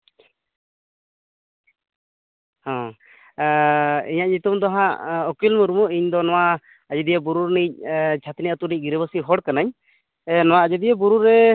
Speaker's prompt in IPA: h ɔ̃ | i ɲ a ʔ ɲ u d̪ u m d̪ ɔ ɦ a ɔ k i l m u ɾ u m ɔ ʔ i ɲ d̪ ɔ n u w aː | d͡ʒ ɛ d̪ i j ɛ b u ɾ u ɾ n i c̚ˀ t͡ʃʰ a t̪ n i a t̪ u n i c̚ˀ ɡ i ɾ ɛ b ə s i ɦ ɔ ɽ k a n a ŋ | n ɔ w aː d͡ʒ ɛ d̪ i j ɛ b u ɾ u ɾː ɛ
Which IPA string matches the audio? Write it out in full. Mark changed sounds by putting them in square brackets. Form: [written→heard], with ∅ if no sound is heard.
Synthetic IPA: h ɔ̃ | i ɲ a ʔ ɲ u [d̪→t̪] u m d̪ ɔ ɦ a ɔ k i l m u ɾ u m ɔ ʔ i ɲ d̪ ɔ n [u→ɔ] w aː | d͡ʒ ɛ d̪ i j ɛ b u ɾ u ɾ n i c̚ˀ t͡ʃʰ a t̪ n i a t̪ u n i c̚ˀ ɡ i ɾ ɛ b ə s i ɦ ɔ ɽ k a n a [ŋ→ɲ] | n ɔ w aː d͡ʒ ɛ d̪ i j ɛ b u ɾ u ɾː ɛ